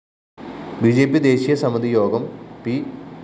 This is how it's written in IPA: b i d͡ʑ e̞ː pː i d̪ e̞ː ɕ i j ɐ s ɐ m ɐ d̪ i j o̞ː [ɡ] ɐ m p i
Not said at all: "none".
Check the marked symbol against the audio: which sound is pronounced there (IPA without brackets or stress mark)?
ɡ